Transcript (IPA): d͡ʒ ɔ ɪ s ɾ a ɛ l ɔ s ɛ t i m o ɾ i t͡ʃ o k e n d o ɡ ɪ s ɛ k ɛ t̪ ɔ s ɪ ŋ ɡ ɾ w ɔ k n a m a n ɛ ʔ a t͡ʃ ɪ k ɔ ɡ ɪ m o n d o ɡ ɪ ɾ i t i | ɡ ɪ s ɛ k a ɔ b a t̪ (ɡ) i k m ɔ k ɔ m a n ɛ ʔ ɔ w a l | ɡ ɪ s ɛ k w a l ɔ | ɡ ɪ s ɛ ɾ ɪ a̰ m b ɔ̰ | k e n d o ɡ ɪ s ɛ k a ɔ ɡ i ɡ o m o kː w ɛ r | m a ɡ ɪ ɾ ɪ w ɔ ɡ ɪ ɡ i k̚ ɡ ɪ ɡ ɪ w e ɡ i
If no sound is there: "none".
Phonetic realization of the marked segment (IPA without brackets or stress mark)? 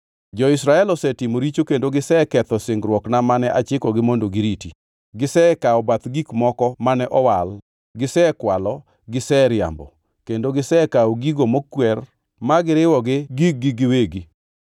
ɡ